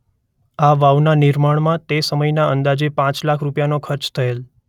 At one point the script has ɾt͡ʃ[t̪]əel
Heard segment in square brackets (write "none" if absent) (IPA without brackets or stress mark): t̪ʰ